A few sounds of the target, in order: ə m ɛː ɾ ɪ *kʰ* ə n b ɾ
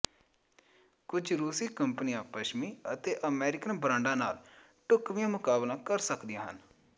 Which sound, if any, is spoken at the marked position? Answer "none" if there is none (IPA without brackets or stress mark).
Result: k